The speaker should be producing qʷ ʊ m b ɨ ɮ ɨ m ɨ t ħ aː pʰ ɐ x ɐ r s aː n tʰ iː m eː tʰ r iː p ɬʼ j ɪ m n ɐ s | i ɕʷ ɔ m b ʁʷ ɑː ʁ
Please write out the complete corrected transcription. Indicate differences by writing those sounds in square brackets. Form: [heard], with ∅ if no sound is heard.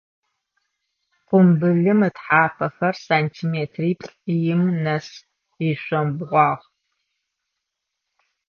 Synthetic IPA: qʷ ʊ m b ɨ ɮ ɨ m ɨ t ħ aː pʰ ɐ x ɐ r s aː n tʰ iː m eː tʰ r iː p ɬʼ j ɪ m n ɐ s | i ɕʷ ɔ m b ʁʷ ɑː ʁ